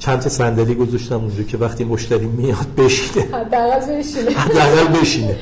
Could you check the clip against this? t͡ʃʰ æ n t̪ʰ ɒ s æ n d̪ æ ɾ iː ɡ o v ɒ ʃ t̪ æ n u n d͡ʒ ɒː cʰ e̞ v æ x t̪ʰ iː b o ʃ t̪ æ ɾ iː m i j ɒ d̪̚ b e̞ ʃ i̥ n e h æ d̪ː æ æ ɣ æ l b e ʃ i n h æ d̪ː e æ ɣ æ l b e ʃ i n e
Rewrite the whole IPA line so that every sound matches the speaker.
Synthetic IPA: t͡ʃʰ æ n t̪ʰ ɒ s æ n d̪ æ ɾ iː ɡ o z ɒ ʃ t̪ æ m u n d͡ʒ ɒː cʰ e̞ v æ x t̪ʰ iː m o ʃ t̪ æ ɾ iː m i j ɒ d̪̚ b e̞ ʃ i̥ n e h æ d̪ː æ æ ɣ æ l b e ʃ i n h æ d̪ː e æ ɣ æ l b e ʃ i n e